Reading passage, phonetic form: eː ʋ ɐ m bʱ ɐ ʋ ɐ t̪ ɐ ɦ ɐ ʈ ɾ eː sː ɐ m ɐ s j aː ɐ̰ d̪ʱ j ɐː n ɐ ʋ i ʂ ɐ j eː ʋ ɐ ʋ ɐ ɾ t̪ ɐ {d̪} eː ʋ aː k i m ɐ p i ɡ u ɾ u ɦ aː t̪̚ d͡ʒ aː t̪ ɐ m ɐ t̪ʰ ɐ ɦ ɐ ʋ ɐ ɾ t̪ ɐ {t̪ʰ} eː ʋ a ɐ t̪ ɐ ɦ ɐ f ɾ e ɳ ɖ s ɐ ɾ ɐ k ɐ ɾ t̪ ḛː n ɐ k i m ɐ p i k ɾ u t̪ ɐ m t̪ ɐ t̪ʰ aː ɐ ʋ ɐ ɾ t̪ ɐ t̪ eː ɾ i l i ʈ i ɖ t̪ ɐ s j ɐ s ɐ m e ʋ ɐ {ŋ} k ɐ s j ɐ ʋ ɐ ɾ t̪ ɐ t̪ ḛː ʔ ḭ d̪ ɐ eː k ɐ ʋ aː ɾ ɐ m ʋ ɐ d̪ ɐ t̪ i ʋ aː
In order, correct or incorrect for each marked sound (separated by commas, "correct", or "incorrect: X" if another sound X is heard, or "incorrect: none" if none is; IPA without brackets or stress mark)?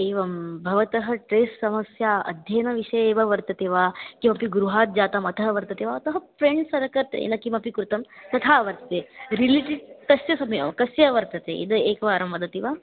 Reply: incorrect: t̪, incorrect: t̪, incorrect: m